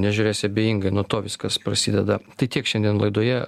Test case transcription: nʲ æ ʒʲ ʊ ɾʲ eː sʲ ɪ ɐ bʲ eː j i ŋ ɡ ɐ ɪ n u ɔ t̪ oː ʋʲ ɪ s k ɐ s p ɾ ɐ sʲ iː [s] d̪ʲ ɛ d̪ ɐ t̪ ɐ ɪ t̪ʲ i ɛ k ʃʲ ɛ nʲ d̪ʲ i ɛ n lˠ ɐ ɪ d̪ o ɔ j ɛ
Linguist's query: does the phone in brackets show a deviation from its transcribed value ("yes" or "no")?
yes